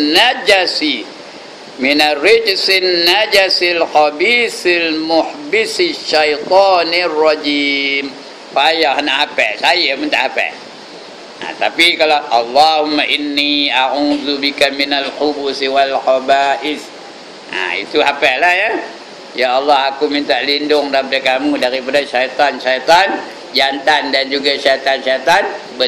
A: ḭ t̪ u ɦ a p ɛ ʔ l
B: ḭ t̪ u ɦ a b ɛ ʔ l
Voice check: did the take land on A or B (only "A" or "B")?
A